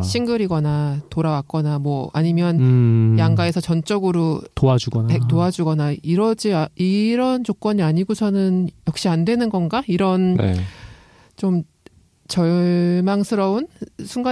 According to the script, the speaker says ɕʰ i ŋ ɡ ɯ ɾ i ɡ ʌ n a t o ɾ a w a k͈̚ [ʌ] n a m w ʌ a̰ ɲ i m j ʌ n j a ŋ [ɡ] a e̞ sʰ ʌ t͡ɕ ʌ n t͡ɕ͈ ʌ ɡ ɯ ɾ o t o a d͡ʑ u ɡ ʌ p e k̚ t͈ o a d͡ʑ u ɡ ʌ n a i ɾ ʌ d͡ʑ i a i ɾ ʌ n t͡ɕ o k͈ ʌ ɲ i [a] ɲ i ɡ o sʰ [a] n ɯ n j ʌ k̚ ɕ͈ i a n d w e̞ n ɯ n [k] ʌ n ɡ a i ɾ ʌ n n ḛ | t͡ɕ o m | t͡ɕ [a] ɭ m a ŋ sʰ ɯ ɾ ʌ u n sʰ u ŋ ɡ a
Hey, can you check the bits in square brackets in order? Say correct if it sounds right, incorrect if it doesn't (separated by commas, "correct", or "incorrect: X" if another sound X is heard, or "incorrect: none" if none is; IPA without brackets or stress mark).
correct, correct, correct, incorrect: ʌ, incorrect: ɡ, incorrect: ʌ